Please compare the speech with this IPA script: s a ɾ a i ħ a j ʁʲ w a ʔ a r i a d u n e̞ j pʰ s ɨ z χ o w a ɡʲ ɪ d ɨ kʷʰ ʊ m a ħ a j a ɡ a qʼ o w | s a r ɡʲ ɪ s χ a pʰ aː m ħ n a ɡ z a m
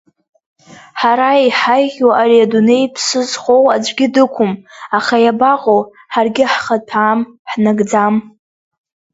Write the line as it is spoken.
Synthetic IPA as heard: ħ a ɾ a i ħ a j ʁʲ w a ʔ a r i a d u n e̞ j pʰ s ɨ z χ o w a ɡʲ ɪ d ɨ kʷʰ ʊ m a χ a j a b a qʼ o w | ħ a r ɡʲ ɪ ħ χ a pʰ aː m ħ n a ɡ d͡z a m